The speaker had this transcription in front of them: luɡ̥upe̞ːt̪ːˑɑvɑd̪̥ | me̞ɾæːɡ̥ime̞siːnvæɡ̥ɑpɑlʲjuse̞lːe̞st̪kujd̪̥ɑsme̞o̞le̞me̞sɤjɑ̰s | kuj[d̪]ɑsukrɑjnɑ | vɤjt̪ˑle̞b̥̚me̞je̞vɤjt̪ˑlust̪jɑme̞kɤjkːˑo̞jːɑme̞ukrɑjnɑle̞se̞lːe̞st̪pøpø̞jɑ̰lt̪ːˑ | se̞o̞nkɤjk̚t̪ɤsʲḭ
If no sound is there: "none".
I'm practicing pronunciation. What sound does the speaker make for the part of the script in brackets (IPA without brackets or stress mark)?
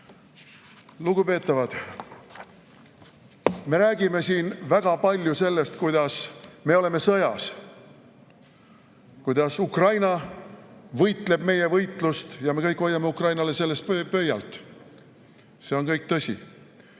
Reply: d̪